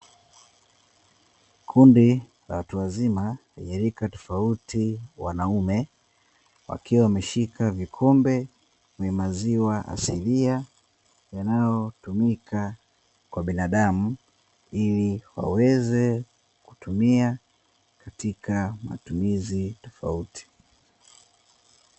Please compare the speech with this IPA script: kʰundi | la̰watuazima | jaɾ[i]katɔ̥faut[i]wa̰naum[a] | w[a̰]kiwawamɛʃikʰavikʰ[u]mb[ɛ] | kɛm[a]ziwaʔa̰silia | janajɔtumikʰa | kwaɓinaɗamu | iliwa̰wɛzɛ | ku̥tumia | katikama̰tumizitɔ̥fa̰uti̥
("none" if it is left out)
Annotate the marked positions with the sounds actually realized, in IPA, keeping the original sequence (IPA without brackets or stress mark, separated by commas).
i, i, ɛ, a̰, ɔ, ɛ, a